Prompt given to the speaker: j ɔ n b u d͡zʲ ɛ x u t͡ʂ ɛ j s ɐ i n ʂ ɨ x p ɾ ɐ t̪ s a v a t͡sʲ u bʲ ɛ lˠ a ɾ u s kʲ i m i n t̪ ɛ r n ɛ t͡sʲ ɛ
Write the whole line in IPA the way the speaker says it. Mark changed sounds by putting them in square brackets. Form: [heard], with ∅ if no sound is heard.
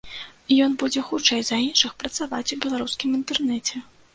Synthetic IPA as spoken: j ɔ n b u d͡zʲ ɛ x u t͡ʂ ɛ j [z] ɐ i n ʂ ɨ x p ɾ ɐ t̪ s a v a t͡sʲ u bʲ ɛ lˠ a ɾ u s kʲ i m i n t̪ ɛ r n ɛ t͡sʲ ɛ

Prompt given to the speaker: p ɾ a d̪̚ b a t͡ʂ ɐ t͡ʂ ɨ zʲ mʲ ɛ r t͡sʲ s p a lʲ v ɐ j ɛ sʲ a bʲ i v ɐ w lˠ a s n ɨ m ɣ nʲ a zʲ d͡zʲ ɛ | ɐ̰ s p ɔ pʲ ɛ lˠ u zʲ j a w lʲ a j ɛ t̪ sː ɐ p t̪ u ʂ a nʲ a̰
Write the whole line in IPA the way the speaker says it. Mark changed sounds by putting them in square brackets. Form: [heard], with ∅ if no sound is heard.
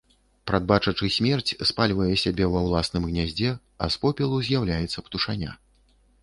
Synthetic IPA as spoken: p ɾ a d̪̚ b a t͡ʂ ɐ t͡ʂ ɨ [sʲ] mʲ ɛ r t͡sʲ s p a lʲ v ɐ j ɛ sʲ a bʲ [ɛ] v ɐ w lˠ a s n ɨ m ɣ nʲ a zʲ d͡zʲ ɛ | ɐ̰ s p ɔ pʲ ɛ lˠ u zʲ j a w lʲ a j ɛ t̪ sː ɐ p t̪ u ʂ a nʲ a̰

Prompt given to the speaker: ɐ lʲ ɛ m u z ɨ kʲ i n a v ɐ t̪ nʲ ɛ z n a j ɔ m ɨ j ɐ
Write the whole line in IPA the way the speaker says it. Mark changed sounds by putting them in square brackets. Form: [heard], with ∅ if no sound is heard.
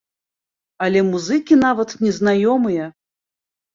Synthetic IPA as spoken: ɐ lʲ ɛ m u z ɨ kʲ i n a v ɐ t̪ nʲ ɛ z n a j ɔ m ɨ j ɐ

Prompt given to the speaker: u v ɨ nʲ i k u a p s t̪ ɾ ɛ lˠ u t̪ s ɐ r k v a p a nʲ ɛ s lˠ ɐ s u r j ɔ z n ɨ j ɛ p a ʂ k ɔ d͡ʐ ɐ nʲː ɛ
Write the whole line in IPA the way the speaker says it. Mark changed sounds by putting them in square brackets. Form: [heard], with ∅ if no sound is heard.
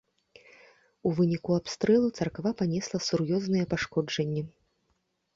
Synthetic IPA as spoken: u v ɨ nʲ i k u a p s t̪ ɾ ɛ lˠ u t̪ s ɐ r k v a p a nʲ ɛ s lˠ ɐ s u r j ɔ z n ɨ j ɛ p a ʂ k ɔ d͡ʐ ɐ nʲː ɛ

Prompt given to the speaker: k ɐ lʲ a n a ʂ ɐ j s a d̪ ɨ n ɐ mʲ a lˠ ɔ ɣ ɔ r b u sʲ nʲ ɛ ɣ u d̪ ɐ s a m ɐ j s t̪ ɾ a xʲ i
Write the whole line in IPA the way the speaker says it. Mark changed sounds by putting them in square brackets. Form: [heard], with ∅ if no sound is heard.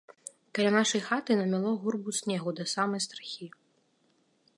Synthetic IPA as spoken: k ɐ lʲ a n a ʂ ɐ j [x] a [t̪] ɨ n ɐ mʲ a lˠ ɔ ɣ [u] r b u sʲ nʲ ɛ ɣ u d̪ ɐ s a m ɐ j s t̪ ɾ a xʲ i

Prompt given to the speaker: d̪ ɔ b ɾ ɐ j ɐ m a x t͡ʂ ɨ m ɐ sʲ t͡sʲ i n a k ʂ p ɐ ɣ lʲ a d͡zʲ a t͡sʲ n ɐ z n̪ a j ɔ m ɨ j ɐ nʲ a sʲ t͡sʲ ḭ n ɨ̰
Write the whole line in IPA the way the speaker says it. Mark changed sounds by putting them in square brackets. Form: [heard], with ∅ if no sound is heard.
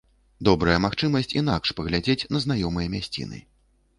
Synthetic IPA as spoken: d̪ ɔ b ɾ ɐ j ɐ m a x t͡ʂ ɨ m ɐ sʲ t͡sʲ i n a k ʂ p ɐ ɣ lʲ a d͡zʲ [e] t͡sʲ n ɐ z n̪ a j ɔ m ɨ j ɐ [mʲ] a sʲ t͡sʲ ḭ n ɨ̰

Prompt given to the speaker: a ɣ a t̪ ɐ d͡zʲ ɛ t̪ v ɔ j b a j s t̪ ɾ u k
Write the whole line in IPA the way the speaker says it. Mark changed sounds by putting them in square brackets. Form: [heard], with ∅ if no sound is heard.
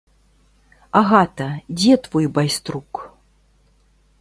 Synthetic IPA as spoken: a ɣ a t̪ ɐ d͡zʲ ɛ t̪ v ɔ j b a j s t̪ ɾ u k

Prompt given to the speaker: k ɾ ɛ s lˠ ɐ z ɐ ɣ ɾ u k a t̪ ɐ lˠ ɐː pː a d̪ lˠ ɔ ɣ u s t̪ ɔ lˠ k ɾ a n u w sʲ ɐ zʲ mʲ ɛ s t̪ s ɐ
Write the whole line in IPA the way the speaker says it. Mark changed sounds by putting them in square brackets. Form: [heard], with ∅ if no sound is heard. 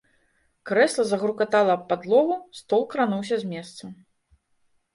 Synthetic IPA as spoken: k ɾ ɛ s lˠ ɐ z ɐ ɣ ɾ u k a t̪ [a] lˠ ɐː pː a d̪ lˠ ɔ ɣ u s t̪ ɔ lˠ k ɾ a n u w sʲ ɐ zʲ mʲ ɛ s t̪ s ɐ

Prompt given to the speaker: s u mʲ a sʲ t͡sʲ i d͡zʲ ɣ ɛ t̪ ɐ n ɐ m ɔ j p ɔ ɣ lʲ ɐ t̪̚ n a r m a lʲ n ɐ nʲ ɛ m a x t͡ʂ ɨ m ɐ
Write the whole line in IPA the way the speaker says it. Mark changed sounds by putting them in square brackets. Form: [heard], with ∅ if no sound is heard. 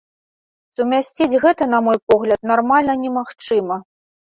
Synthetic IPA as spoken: s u mʲ a sʲ t͡sʲ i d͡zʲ ɣ ɛ t̪ ɐ n ɐ m ɔ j p ɔ ɣ lʲ ɐ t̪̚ n a r m a lʲ n ɐ nʲ ɛ m a x t͡ʂ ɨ m ɐ

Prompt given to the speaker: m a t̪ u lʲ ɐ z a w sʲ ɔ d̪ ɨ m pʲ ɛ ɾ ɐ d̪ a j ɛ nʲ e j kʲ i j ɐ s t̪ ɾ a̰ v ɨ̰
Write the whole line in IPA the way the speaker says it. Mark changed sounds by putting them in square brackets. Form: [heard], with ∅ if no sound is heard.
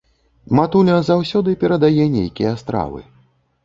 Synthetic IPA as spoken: m a t̪ u lʲ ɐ z a w sʲ ɔ d̪ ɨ [∅] pʲ ɛ ɾ ɐ d̪ a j ɛ nʲ e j kʲ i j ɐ s t̪ ɾ a̰ v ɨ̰

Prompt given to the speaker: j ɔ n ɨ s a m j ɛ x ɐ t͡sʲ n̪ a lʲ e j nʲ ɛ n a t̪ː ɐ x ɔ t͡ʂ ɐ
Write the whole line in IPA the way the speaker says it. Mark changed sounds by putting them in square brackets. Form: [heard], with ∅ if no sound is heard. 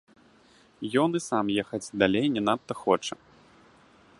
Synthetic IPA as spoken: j ɔ n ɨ s a m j ɛ x ɐ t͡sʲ [d̪] a lʲ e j nʲ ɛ n a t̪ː ɐ x ɔ t͡ʂ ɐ

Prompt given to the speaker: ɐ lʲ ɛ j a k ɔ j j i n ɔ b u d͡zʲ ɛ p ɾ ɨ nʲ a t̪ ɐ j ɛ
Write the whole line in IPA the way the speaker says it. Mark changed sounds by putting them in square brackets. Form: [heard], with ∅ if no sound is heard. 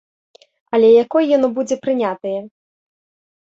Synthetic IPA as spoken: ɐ lʲ ɛ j a k ɔ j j [a] n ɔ b u d͡zʲ ɛ p ɾ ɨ nʲ a t̪ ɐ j ɛ

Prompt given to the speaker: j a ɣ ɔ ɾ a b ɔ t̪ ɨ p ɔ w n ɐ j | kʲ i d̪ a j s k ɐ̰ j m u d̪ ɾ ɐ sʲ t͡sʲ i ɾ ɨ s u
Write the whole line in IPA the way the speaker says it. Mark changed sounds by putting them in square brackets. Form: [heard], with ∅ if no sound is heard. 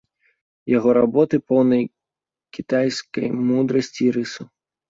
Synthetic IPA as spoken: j a ɣ ɔ ɾ a b ɔ t̪ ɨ p ɔ w n ɐ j | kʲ i [t̪] a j s k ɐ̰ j m u d̪ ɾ ɐ sʲ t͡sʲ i ɾ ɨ s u

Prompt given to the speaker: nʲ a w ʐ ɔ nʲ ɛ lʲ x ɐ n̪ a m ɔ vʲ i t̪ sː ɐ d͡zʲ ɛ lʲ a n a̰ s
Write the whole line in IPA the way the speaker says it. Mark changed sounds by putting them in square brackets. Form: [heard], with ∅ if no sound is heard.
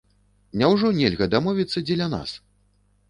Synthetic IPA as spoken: nʲ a w ʐ ɔ nʲ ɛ lʲ [ɣ] ɐ [d̪] a m ɔ vʲ i t̪ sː ɐ d͡zʲ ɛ lʲ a n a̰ s

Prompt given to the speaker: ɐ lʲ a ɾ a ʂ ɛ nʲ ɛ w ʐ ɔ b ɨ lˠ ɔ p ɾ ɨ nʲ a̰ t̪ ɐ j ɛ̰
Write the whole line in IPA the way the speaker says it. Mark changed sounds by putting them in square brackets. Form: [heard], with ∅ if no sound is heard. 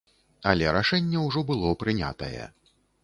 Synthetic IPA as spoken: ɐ lʲ [ɛ] ɾ a ʂ ɛ [nʲː] ɛ w ʐ ɔ b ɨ lˠ ɔ p ɾ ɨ nʲ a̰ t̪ ɐ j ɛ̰

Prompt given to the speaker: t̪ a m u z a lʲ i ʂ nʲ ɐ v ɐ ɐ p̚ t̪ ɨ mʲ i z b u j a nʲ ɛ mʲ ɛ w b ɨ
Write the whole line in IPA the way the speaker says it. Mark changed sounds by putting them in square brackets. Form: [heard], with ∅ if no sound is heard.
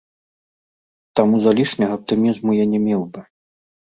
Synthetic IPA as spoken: t̪ a m u z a lʲ i ʂ nʲ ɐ [ɣ] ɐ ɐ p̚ t̪ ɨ mʲ i z [m] u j a nʲ ɛ mʲ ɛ w b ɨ

